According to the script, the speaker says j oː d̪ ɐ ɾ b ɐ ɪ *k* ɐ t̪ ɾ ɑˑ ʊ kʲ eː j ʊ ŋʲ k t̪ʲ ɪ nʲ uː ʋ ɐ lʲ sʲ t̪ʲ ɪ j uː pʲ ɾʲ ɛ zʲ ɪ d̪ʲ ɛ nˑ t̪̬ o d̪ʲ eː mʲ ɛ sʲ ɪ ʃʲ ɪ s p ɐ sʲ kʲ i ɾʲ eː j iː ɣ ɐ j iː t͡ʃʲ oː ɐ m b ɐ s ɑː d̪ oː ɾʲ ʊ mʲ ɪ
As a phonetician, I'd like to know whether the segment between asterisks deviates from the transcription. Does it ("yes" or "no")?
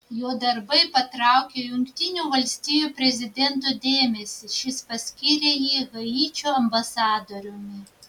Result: yes